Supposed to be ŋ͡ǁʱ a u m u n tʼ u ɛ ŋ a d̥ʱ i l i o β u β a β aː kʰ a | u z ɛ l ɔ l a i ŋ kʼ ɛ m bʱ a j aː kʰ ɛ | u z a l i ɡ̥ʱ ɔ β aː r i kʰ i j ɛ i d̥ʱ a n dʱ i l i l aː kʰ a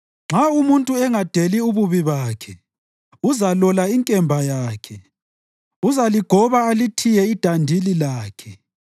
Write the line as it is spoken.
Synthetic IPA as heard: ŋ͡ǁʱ a u m u n tʼ u ɛ ŋ a d̥ʱ e l i u β u β i β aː kʰ ɛ | u z a l ɔ l a i ŋ kʼ ɛ m bʱ a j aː kʰ ɛ | u z a l i ɡ̥ʱ ɔ β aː l i tʰ i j ɛ i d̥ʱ a n dʱ i l i l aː kʰ ɛ